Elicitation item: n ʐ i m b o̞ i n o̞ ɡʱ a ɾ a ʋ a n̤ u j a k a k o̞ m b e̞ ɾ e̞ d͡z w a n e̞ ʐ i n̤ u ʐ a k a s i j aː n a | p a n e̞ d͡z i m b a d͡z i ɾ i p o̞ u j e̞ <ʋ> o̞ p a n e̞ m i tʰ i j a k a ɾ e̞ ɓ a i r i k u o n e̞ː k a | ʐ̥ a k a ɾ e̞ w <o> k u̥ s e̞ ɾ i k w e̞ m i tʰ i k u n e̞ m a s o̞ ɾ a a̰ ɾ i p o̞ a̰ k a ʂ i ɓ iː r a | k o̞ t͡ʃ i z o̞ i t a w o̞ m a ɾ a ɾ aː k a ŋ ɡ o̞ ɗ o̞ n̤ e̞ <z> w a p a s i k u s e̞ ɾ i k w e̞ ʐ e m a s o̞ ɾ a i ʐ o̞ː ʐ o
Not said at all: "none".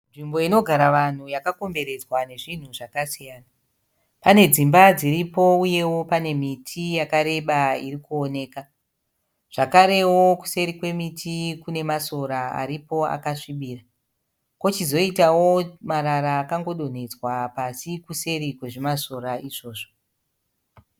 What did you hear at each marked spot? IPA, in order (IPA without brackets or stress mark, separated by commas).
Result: w, o, d͡z